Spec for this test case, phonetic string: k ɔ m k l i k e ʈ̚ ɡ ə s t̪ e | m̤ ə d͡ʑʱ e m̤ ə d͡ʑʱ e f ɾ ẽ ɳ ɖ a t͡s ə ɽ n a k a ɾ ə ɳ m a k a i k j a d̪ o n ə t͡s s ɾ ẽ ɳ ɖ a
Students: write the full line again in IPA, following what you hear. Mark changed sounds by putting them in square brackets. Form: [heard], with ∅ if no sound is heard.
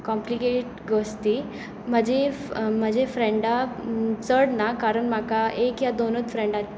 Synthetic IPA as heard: k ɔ m [p] l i k e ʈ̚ ɡ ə s t̪ [i] | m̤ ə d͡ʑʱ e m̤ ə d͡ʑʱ e f ɾ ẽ ɳ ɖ a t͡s ə ɽ n a k a ɾ ə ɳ m a k a [e] k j a d̪ o n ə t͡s [f] ɾ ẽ ɳ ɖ a

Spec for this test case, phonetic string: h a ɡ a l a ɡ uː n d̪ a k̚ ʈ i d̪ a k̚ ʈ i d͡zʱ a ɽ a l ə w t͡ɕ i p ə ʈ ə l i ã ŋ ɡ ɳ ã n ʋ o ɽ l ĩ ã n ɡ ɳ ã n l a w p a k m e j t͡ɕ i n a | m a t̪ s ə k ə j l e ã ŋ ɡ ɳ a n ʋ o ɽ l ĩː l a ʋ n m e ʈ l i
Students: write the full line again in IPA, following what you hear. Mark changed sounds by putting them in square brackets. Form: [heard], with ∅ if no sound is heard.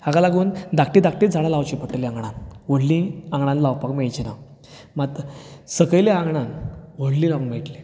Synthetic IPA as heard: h a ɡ a l a ɡ uː n d̪ a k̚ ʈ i d̪ a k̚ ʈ i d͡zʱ a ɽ a l [a] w t͡ɕ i p ə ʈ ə l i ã ŋ ɡ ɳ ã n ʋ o ɽ l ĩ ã [ŋ] ɡ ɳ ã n l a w p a k m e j t͡ɕ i n a | m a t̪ s ə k ə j l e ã ŋ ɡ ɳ a n ʋ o ɽ l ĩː l a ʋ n m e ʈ l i

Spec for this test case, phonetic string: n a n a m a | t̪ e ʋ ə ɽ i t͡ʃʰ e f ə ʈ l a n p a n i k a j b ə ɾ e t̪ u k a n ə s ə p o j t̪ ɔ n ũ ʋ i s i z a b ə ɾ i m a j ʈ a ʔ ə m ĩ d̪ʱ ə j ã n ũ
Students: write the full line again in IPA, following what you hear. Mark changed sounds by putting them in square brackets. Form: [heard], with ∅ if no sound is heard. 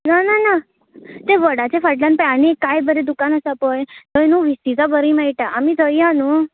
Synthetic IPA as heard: n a n a [n] a | t̪ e ʋ ə ɽ [a] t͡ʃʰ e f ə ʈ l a n p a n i k a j b ə ɾ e [d̪] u k a n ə s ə p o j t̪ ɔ n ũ ʋ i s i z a b ə ɾ i m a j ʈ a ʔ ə m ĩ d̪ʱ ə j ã n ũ

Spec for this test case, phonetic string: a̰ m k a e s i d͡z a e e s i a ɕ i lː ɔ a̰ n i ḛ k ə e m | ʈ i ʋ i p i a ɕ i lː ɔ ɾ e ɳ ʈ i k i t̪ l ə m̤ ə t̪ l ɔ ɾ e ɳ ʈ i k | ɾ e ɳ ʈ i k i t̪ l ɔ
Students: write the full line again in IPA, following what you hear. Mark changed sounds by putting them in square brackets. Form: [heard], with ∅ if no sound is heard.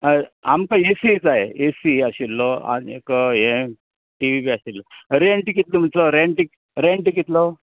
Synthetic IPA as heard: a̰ m k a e s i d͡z a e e s i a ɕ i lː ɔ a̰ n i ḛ k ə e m | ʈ i ʋ i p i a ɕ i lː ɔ ɾ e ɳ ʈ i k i t̪ l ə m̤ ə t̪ l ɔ ɾ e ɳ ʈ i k | ɾ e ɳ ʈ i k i t̪ l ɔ

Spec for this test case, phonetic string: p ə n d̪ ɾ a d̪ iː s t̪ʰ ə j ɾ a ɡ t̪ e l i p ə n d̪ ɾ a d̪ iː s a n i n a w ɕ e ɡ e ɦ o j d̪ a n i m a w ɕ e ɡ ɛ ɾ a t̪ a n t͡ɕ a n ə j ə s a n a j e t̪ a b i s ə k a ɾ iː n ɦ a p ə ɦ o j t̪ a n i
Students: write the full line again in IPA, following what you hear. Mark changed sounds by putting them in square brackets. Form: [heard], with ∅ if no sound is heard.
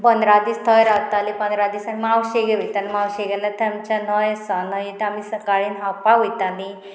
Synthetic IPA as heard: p ə n d̪ ɾ a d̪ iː s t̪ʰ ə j ɾ a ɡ t̪ [a] l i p ə n d̪ ɾ a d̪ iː s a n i [m] a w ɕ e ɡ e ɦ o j [t̪] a n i m a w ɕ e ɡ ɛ [l] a t̪ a [m] t͡ɕ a n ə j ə s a n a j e t̪ a [m] i s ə k a [ɭ] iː n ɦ a p [a] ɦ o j t̪ a n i

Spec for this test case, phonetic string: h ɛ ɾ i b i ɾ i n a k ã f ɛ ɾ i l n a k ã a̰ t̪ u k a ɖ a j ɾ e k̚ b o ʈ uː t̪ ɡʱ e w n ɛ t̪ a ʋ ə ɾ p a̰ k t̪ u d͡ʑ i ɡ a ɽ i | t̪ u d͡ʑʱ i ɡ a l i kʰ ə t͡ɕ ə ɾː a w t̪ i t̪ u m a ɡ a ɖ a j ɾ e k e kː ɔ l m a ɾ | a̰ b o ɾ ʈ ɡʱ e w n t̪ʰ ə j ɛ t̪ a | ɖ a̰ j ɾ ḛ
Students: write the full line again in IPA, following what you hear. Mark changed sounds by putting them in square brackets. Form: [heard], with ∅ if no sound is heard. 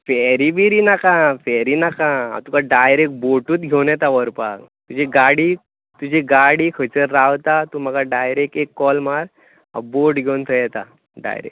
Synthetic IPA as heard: [f] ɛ ɾ i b i ɾ i n a k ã f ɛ ɾ i [∅] n a k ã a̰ t̪ u k a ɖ a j ɾ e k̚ b o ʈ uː t̪ ɡʱ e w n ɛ t̪ a ʋ ə ɾ p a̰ k t̪ u d͡ʑ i ɡ a ɽ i | t̪ u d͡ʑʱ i ɡ a [ɽ] i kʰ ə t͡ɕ ə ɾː a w t̪ [a] t̪ u m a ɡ a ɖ a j ɾ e k e kː ɔ l m a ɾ | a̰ b o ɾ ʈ ɡʱ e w n t̪ʰ ə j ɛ t̪ a | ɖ a̰ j ɾ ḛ

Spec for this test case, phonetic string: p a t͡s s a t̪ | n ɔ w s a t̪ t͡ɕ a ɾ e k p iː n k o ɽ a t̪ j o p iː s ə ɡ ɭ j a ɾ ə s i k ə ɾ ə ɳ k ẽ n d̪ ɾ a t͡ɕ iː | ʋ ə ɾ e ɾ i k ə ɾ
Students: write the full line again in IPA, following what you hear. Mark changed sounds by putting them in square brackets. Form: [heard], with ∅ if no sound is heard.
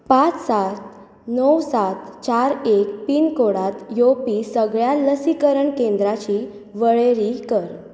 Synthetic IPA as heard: p a t͡s s a t̪ | n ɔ w s a t̪ t͡ɕ a ɾ e k p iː n k o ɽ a t̪ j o p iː s ə ɡ ɭ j a [l] ə s i k ə ɾ ə ɳ k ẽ n d̪ ɾ a t͡ɕ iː | ʋ ə [ɭ] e ɾ i k ə ɾ

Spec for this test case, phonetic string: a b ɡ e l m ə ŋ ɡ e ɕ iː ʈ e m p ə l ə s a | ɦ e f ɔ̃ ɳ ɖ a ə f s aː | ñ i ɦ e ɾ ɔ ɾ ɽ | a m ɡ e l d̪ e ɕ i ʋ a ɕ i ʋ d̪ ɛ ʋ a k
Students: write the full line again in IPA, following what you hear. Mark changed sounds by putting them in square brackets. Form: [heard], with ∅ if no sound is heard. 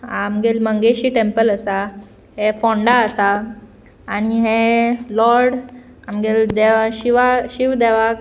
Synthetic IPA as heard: a [m] ɡ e l m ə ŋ ɡ e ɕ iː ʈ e m p ə l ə s a | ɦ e f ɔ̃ ɳ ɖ a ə [∅] s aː | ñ i ɦ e [l] ɔ ɾ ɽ | a m ɡ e l d̪ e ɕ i ʋ a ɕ i ʋ d̪ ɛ ʋ a k

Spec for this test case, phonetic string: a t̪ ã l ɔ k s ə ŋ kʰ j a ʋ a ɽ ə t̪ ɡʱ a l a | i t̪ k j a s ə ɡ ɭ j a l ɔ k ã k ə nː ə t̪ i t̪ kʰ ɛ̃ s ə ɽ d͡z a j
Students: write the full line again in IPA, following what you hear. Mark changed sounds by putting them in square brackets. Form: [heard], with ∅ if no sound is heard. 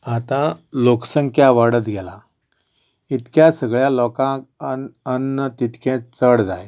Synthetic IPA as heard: a t̪ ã l [o] k s ə ŋ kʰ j a ʋ a ɽ ə t̪ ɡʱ [ɛ] l a | i t̪ k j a s ə ɡ ɭ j a l ɔ k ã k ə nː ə t̪ i t̪ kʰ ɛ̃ [t͡s] ə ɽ d͡z a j

